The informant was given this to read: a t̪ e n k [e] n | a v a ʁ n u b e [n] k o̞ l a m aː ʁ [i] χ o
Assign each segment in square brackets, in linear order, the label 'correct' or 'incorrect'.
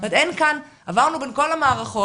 incorrect, correct, incorrect

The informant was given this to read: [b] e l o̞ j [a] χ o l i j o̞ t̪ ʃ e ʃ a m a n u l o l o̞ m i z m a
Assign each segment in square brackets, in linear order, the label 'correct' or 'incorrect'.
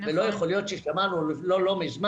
incorrect, incorrect

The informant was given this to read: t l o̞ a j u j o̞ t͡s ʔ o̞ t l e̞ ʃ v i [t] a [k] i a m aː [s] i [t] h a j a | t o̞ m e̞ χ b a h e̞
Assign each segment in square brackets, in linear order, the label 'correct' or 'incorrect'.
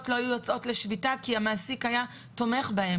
correct, correct, correct, incorrect

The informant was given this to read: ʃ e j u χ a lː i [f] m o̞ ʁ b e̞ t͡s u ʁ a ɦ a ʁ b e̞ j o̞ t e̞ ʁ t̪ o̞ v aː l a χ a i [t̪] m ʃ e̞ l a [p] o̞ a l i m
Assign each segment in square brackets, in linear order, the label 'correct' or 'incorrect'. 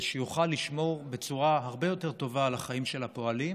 incorrect, incorrect, correct

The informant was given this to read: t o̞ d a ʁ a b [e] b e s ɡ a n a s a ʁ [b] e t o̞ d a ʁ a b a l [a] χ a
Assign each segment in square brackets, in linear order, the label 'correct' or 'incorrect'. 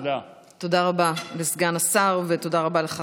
incorrect, incorrect, incorrect

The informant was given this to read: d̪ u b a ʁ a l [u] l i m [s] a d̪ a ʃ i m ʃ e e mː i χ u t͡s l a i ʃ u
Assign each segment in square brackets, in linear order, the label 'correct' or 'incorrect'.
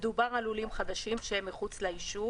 correct, incorrect

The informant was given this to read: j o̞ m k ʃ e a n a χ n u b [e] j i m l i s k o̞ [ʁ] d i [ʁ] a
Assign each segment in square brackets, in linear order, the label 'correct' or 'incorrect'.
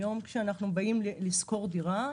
incorrect, correct, correct

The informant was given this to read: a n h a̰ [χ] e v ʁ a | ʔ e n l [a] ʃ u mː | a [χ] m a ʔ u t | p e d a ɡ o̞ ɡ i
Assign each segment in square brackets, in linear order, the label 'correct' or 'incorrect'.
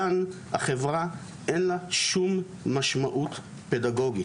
correct, correct, incorrect

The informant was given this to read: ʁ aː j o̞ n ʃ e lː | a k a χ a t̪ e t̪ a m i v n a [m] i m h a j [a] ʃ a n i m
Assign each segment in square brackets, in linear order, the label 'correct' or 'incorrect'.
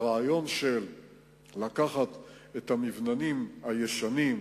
incorrect, incorrect

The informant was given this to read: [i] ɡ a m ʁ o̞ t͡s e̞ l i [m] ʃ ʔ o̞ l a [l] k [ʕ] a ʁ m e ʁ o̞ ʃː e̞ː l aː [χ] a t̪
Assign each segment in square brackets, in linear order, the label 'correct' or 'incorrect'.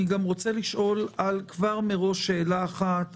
correct, incorrect, correct, incorrect, correct

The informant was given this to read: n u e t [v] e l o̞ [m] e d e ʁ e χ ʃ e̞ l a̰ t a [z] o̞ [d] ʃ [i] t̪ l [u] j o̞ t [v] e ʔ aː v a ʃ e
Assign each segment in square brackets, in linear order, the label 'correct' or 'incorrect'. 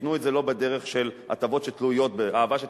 incorrect, incorrect, incorrect, incorrect, incorrect, correct, incorrect

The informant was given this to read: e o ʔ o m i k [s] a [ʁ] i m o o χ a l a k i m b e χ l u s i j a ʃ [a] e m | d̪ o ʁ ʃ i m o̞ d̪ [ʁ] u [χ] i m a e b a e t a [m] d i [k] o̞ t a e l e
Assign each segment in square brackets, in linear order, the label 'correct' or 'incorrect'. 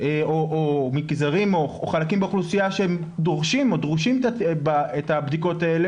incorrect, correct, incorrect, correct, incorrect, incorrect, correct

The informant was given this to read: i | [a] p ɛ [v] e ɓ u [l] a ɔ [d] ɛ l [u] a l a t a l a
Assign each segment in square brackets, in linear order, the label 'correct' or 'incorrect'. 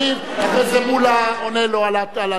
correct, incorrect, correct, incorrect, incorrect

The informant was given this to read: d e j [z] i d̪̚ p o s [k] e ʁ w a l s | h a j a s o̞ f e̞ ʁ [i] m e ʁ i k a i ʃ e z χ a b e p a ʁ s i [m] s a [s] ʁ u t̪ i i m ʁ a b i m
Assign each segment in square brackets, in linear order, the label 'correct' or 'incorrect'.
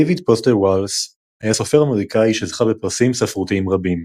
incorrect, incorrect, incorrect, correct, incorrect

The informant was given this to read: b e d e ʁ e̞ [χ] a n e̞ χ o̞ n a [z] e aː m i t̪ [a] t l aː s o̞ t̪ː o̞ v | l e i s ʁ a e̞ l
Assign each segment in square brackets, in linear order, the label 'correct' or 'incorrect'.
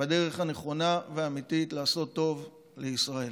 correct, incorrect, incorrect

